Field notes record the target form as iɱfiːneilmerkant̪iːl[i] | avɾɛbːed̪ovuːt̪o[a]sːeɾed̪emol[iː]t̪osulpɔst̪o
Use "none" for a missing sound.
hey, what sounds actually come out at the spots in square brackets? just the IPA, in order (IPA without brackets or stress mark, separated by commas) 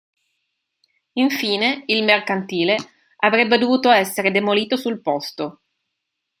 e, ɛ, iː